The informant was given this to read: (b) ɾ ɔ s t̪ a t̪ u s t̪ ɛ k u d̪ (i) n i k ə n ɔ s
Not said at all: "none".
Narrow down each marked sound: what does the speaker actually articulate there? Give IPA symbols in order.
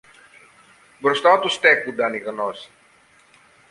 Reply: b, a

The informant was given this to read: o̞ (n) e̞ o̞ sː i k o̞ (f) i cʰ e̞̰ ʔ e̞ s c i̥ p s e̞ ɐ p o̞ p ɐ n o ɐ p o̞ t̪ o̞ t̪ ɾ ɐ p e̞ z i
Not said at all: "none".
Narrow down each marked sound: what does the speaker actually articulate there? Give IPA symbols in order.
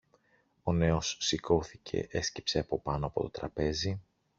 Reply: n, θ

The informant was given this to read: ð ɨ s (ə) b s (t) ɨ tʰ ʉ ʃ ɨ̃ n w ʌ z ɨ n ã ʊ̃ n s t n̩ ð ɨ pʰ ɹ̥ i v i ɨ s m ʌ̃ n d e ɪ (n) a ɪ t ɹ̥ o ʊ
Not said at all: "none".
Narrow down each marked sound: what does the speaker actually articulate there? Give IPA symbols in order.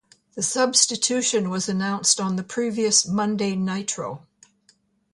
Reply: ʌ, t, n

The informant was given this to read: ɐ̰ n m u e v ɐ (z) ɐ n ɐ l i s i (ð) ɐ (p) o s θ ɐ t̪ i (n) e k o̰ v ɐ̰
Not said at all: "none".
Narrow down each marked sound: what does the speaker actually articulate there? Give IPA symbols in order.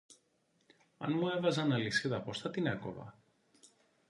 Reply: z, ð, p, n

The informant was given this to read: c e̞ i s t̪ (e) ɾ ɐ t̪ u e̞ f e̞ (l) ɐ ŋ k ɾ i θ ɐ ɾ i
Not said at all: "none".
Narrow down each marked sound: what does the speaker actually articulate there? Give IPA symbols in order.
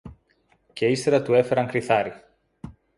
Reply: e, ɾ

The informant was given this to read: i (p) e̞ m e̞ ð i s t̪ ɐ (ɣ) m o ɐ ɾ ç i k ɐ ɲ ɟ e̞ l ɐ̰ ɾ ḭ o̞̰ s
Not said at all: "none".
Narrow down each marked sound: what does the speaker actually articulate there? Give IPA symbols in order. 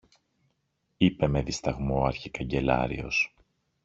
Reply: p, ɣ

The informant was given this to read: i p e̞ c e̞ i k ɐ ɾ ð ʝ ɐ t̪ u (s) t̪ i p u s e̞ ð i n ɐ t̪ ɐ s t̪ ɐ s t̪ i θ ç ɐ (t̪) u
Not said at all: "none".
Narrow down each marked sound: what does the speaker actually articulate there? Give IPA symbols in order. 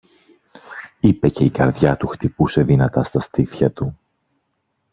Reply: x, t̪

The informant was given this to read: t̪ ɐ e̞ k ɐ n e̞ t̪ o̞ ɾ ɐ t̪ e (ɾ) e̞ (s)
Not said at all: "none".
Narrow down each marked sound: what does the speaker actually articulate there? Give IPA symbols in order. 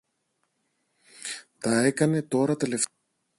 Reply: l, f

